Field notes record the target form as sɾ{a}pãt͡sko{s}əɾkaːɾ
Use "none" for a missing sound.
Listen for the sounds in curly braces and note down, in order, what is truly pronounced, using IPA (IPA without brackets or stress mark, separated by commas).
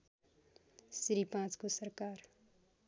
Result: i, s